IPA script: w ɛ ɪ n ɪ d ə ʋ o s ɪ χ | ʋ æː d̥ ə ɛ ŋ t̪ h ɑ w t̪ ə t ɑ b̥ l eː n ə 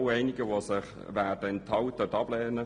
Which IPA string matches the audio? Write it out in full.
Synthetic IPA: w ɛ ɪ n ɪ ɡ ə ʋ o s ɪ χ | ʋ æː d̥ ə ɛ n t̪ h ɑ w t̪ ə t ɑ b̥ l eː n ə